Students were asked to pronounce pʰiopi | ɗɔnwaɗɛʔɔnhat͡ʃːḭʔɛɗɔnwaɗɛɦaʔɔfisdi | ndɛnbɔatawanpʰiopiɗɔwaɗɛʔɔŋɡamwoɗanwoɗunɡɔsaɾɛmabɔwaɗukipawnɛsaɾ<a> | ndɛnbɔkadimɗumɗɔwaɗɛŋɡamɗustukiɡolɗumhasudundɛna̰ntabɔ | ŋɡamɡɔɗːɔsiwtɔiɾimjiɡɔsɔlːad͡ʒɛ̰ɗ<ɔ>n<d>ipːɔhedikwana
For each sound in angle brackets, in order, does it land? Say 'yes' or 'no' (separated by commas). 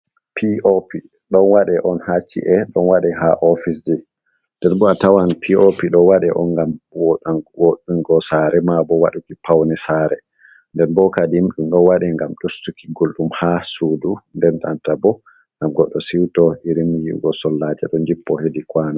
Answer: no, yes, no